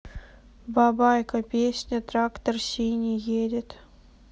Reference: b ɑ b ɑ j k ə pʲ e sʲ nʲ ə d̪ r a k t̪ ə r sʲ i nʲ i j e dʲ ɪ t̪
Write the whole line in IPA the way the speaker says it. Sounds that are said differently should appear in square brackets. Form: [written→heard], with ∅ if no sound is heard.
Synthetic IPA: b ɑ b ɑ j k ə pʲ e sʲ nʲ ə [d̪→t̪] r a k t̪ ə r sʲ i nʲ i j e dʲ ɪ t̪